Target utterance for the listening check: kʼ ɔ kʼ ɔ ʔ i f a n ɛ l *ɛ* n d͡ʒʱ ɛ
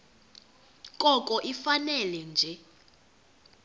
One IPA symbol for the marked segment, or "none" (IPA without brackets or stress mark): ɛ